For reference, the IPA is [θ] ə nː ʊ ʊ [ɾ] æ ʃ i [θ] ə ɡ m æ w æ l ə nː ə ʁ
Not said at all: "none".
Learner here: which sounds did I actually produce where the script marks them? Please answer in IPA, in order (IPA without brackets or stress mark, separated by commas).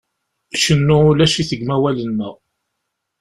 ʃ, l, θ